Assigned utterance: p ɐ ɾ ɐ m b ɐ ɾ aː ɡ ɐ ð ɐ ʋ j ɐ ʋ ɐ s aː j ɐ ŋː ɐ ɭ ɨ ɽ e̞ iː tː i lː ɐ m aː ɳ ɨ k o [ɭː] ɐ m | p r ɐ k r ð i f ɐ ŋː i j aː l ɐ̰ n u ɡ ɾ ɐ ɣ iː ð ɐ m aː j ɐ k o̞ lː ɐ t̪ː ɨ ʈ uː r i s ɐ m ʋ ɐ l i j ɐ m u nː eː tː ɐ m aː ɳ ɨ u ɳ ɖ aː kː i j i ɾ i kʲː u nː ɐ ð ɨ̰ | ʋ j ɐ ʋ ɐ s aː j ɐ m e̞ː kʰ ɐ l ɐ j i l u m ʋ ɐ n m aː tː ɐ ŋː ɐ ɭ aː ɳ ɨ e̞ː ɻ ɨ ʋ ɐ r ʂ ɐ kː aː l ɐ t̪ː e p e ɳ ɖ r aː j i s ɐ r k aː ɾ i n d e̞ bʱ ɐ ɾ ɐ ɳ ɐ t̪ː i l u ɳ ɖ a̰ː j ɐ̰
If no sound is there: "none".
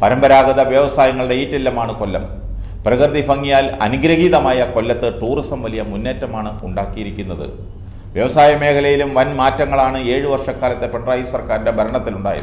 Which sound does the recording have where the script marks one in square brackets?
lː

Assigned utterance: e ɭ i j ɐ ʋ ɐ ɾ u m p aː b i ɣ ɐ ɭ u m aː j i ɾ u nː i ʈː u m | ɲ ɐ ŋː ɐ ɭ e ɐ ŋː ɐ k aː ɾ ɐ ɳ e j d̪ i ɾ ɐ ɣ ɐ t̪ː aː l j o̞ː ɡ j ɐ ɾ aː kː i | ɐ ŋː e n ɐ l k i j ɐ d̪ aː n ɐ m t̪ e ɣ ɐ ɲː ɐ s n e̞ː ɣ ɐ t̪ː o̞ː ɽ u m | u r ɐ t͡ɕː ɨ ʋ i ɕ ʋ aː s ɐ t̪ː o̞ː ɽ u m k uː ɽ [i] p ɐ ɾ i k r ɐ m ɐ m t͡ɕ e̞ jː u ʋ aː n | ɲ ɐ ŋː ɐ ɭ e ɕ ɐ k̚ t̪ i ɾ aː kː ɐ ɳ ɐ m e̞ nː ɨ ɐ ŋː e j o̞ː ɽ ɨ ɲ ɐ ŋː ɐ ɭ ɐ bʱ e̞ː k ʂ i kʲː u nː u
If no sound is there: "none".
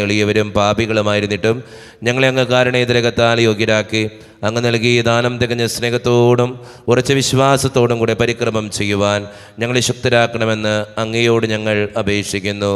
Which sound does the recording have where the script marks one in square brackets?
e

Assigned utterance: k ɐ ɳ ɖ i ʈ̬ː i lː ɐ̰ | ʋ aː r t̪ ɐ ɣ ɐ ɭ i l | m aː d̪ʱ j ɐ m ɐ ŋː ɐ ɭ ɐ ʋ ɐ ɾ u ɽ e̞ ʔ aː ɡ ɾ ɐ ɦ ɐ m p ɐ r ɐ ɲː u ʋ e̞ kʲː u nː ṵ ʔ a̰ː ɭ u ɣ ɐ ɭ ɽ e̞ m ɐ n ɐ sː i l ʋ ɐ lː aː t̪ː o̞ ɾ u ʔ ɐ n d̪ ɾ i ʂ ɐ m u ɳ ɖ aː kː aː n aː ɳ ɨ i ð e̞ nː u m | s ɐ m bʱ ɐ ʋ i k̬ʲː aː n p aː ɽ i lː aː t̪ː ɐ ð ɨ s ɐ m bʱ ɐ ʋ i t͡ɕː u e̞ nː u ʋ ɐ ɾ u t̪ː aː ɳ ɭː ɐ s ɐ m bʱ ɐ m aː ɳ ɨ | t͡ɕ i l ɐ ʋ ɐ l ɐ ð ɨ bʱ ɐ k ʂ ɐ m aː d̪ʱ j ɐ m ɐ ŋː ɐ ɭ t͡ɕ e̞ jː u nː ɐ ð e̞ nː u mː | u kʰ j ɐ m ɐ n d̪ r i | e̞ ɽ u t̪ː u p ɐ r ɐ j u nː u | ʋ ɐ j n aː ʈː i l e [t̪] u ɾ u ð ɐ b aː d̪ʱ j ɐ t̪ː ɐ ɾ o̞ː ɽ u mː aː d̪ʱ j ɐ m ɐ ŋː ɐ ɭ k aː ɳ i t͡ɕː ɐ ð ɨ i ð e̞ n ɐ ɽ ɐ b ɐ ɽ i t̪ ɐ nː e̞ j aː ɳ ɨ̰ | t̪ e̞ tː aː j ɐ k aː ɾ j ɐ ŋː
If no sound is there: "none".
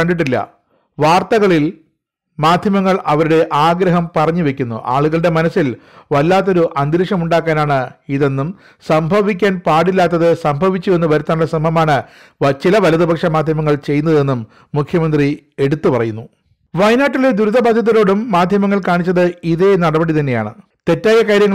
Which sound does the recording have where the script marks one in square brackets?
d̪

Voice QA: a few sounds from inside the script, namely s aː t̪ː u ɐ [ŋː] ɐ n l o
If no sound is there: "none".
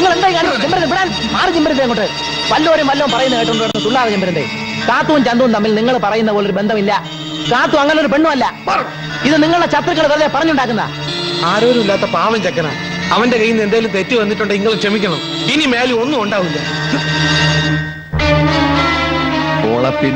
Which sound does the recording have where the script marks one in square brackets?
ŋː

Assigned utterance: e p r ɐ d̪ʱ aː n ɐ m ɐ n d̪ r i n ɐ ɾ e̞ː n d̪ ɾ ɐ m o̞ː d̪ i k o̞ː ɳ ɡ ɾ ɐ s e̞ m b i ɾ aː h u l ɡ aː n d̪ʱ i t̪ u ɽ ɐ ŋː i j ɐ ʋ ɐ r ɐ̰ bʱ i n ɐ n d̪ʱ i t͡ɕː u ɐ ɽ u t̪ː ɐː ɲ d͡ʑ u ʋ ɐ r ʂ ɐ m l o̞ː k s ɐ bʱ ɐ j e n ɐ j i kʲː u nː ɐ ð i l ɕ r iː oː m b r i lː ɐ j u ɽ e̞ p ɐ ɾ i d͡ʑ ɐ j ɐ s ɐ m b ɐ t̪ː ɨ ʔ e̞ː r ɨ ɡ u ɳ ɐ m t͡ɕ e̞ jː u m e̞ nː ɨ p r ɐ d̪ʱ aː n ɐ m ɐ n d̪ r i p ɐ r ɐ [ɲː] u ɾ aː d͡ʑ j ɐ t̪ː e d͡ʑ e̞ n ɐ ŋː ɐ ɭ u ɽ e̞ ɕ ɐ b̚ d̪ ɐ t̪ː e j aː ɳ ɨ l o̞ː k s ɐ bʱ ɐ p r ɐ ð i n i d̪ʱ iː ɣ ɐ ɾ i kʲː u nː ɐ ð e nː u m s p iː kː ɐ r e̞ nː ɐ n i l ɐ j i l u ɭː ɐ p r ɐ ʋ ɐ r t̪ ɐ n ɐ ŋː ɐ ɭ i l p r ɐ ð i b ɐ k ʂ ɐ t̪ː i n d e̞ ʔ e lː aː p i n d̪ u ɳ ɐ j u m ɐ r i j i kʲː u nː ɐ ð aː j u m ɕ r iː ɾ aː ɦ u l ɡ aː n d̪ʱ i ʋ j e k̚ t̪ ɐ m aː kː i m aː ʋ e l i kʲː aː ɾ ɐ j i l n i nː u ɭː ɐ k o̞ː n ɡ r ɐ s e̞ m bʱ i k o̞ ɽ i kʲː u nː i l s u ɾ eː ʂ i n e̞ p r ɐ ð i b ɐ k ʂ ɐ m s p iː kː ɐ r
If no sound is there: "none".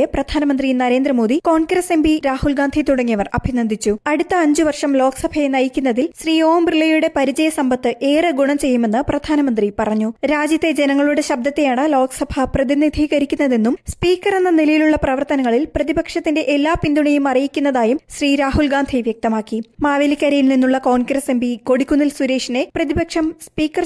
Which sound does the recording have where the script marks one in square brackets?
ɲː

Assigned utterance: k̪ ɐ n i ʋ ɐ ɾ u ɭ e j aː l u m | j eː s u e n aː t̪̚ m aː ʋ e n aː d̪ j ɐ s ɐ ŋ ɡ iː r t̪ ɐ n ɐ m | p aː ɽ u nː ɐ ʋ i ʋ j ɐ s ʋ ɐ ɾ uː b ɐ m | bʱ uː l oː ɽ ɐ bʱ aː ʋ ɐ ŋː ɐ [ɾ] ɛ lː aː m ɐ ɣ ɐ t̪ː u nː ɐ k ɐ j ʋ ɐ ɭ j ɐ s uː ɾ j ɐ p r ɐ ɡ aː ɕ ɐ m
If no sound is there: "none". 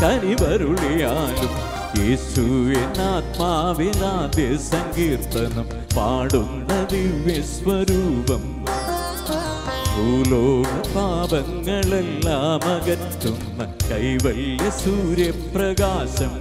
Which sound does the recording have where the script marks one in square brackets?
ɭ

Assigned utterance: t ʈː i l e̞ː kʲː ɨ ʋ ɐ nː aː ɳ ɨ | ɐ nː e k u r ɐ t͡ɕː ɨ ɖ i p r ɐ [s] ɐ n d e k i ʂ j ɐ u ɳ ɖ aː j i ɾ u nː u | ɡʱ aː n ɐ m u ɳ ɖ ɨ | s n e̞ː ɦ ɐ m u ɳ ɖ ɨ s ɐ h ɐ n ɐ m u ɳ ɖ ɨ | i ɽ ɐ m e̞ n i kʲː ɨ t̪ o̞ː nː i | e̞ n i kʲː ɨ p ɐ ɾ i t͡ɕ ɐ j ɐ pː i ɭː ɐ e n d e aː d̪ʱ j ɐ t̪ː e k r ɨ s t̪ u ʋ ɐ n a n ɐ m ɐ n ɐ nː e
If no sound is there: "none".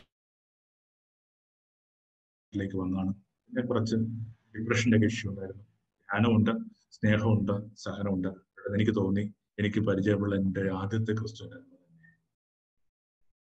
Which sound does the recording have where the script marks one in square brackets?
ʂ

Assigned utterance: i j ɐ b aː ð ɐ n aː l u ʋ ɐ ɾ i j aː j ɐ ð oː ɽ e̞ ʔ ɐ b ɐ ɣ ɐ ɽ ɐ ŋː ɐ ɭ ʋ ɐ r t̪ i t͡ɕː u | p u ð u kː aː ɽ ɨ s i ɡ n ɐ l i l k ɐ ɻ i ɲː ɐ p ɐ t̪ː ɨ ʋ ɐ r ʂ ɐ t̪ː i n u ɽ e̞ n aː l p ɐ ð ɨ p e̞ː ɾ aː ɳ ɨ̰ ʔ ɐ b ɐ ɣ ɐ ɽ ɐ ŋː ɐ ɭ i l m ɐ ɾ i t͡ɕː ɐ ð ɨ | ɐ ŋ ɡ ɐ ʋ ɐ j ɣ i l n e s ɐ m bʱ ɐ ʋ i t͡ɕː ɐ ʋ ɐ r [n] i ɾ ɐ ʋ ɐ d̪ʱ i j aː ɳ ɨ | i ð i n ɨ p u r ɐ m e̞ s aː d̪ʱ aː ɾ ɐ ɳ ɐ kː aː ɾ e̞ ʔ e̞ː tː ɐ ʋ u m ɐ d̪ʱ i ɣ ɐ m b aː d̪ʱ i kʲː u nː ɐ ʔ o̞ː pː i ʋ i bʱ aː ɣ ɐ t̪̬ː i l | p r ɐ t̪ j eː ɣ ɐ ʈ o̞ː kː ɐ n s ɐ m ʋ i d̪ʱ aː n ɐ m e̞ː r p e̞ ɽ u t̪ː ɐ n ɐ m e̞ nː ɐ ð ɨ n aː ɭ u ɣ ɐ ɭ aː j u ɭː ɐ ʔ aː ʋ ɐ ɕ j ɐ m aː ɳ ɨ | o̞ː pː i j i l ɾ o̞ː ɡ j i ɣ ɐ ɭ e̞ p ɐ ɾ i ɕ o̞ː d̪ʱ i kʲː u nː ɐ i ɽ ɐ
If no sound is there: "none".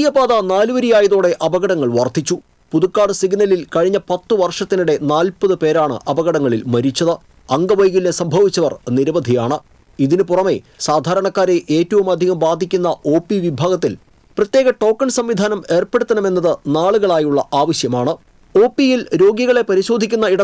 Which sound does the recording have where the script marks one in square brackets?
n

